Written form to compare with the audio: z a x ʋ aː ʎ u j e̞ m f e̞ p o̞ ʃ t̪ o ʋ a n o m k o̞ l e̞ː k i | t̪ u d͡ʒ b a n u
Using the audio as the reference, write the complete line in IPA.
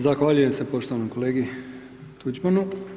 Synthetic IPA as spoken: z a x ʋ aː ʎ u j e̞ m s e̞ p o̞ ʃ t̪ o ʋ a n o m k o̞ l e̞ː ɡ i | t̪ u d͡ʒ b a n u